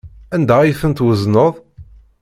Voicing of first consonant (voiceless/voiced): voiced